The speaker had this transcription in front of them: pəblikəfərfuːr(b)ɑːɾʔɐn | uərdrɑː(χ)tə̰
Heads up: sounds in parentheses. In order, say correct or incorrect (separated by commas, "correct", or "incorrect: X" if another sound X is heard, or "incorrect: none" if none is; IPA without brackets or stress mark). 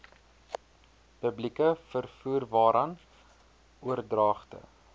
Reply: incorrect: v, correct